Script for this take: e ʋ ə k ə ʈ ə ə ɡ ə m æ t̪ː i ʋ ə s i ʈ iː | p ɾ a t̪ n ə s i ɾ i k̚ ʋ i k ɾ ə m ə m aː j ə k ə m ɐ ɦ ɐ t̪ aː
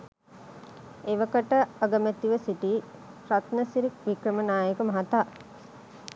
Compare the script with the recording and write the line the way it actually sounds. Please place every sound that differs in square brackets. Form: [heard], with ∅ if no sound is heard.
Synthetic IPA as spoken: e ʋ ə k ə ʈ ə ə ɡ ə m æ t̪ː i ʋ ə s i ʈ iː | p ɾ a t̪ n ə s i ɾ i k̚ ʋ i k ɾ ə m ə [n] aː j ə k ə m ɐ ɦ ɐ t̪ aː